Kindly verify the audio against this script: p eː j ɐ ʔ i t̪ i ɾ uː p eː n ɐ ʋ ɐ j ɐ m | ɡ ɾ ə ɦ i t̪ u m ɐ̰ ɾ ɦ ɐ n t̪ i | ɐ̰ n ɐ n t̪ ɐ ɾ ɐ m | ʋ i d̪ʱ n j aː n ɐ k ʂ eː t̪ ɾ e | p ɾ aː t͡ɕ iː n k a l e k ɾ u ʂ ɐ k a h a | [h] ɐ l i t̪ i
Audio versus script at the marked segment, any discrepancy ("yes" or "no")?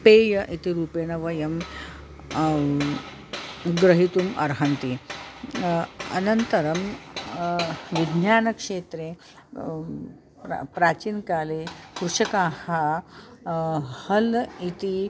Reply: no